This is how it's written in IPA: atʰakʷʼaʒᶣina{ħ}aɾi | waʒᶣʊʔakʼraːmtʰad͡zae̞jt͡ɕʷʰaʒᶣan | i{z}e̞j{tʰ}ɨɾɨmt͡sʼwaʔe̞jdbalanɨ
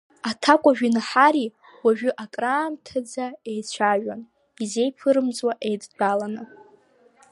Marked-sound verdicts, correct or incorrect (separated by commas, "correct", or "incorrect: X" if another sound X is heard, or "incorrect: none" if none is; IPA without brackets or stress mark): correct, correct, incorrect: pʰ